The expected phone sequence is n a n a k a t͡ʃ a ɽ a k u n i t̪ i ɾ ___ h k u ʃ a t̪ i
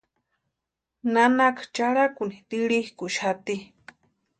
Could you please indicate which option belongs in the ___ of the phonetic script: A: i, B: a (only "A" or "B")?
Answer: A